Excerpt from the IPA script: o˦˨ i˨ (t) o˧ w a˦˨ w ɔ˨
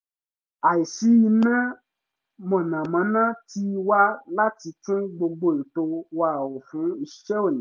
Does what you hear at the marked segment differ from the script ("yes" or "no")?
no